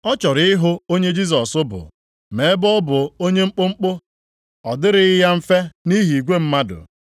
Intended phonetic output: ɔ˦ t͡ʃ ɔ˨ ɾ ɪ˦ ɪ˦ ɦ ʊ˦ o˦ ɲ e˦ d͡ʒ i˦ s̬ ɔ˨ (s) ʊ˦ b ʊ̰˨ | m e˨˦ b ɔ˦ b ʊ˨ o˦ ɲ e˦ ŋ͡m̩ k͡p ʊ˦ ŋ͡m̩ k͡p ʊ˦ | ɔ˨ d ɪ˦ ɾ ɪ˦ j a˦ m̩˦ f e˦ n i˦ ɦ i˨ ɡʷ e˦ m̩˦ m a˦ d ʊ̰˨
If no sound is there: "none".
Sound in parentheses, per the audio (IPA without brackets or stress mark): s